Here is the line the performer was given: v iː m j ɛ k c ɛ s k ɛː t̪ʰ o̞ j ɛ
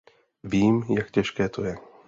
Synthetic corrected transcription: v iː m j a k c ɛ ʃ k ɛː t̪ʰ o̞ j ɛ

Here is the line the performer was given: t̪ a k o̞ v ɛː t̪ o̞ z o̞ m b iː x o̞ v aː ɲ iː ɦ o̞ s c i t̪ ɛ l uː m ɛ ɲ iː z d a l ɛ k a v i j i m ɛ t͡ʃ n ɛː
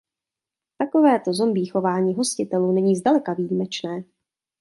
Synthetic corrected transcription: t̪ a k o̞ v ɛː t̪ o̞ z o̞ m b iː x o̞ v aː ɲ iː ɦ o̞ s c ɪ t̪ ɛ l uː n ɛ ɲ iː z d a l ɛ k a v i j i m ɛ t͡ʃ n ɛː

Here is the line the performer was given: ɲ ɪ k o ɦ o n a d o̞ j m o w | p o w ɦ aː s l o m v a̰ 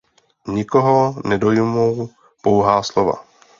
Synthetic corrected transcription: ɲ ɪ k o ɦ o n ɛ d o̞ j m o w | p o w ɦ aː s l o v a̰

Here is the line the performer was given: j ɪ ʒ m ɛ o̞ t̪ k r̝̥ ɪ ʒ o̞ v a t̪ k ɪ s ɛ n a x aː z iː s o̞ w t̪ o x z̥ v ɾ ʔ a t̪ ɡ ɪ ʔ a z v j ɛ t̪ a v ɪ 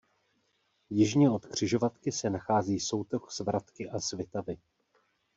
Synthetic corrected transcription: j ɪ ʒ ɲ ɛ o̞ t̪ k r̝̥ ɪ ʒ o̞ v a t̪ k ɪ s ɛ n a x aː z iː s o̞ w t̪ o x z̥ v ɾ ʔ a t̪ k ɪ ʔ a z v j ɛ t̪ a v ɪ

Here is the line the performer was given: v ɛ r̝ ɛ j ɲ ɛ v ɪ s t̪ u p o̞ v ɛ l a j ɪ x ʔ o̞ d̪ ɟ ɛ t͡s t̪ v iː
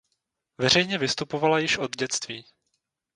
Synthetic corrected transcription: v ɛ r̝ ɛ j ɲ ɛ v ɪ s t̪ u p o̞ v a l a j ɪ ʃ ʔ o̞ d̪ ɟ ɛ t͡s t̪ v iː

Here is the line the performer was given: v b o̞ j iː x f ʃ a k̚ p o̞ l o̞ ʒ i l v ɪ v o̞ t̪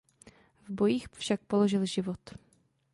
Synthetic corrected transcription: v b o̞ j iː x f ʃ a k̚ p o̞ l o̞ ʒ ɪ l ʒ ɪ v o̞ t̪

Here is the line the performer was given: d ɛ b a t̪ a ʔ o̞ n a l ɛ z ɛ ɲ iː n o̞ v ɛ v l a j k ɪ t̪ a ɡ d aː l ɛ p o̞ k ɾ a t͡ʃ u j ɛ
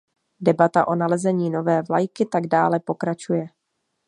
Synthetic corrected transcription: d ɛ b a t̪ a ʔ o̞ n a l ɛ z ɛ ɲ iː n o̞ v ɛː v l a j k ɪ t̪ a ɡ d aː l ɛ p o̞ k ɾ a t͡ʃ u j ɛ

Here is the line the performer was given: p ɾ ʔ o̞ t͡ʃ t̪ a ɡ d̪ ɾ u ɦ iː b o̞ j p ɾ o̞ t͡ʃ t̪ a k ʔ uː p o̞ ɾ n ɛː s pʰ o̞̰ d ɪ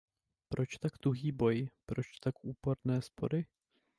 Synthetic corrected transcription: p ɾ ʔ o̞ t͡ʃ t̪ a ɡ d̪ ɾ u ɦ iː b o̞ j p ɾ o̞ t͡ʃ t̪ a k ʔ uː p o̞ ɾ n ɛː s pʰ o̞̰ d ɪ

